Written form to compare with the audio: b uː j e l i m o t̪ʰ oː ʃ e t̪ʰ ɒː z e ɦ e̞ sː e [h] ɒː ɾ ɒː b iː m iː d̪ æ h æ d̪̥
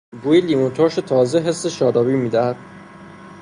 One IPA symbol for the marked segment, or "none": ʃ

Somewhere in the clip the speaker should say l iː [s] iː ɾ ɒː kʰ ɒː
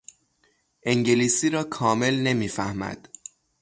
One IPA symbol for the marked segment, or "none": s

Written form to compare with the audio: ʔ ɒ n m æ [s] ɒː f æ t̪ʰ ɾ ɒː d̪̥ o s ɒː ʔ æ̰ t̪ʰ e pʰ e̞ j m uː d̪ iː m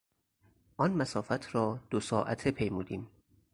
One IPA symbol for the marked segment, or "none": s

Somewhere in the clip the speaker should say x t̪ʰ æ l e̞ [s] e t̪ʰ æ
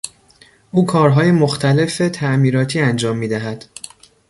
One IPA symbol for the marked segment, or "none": f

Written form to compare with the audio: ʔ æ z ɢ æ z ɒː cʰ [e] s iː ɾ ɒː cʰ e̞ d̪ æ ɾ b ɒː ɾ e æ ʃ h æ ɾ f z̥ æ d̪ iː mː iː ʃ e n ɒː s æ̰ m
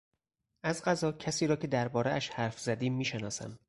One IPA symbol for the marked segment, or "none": æ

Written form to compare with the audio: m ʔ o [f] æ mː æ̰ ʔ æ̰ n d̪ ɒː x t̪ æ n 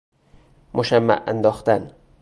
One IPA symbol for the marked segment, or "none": ʃ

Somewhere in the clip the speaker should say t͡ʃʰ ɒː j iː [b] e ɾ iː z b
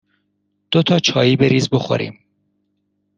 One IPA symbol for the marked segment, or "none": b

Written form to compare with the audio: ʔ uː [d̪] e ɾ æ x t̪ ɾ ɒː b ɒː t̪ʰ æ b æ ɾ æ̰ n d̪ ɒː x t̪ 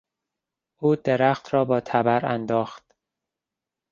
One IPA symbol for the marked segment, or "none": d̪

